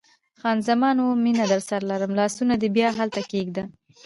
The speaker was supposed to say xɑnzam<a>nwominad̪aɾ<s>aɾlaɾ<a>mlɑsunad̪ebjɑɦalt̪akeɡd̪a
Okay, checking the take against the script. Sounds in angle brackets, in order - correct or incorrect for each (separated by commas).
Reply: incorrect, correct, incorrect